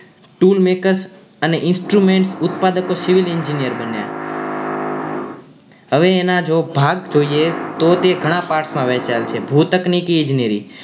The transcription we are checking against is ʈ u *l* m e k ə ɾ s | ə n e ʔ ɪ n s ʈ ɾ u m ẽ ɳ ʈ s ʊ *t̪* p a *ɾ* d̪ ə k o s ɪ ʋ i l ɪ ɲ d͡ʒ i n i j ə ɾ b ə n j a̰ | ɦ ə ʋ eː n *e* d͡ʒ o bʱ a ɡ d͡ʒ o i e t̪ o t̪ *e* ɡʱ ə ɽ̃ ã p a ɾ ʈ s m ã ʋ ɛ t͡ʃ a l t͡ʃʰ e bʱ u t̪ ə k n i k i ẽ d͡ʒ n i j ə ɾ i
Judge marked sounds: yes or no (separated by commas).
yes, yes, no, no, yes